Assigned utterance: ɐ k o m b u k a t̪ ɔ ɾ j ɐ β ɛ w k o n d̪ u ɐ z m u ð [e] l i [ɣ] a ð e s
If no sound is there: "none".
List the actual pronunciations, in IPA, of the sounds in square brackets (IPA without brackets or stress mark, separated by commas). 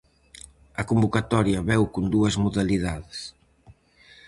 a, ð